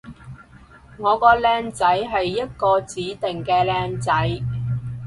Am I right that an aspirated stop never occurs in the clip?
yes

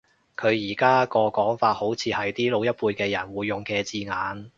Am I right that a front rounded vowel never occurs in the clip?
yes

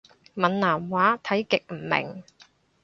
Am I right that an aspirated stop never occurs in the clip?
no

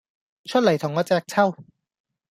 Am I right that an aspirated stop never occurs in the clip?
no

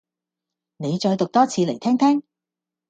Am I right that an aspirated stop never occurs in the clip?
no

